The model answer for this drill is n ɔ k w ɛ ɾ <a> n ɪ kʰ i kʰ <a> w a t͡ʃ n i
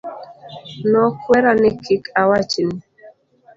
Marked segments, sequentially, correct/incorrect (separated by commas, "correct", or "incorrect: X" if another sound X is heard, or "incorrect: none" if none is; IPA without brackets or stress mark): correct, correct